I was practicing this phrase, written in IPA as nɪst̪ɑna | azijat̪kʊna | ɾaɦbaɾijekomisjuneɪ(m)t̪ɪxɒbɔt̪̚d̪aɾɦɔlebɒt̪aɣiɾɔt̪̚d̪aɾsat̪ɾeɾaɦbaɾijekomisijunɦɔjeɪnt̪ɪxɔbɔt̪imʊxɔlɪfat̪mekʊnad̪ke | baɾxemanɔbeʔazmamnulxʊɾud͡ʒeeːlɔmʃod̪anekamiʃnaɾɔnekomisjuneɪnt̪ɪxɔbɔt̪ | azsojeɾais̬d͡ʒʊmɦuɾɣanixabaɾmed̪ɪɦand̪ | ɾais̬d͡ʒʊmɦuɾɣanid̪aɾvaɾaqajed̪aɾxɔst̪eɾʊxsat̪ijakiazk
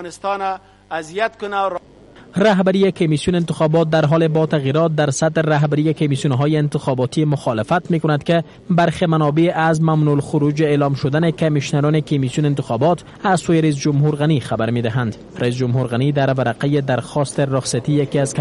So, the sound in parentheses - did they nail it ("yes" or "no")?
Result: no